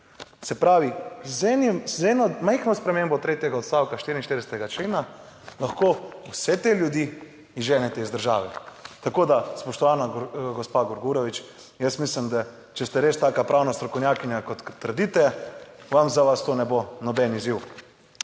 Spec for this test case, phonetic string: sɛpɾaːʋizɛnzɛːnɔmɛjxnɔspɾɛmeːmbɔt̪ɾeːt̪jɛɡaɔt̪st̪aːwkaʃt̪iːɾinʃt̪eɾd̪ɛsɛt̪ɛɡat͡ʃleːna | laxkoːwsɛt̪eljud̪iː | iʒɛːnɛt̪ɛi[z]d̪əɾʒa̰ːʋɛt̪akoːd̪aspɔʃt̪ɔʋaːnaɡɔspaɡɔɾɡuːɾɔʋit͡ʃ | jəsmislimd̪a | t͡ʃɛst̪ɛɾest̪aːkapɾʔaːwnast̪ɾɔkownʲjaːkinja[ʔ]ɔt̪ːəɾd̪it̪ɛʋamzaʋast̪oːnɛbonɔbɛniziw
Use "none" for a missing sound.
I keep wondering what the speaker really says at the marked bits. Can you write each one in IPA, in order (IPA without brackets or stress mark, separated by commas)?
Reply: z, k